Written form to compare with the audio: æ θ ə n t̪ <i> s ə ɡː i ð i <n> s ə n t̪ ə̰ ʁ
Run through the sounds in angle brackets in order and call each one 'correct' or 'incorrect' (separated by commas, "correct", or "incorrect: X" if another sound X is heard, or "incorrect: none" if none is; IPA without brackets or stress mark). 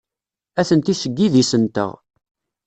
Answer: correct, incorrect: none